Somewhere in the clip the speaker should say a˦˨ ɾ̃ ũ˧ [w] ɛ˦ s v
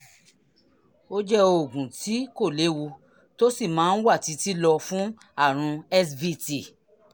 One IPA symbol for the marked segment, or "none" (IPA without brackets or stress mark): none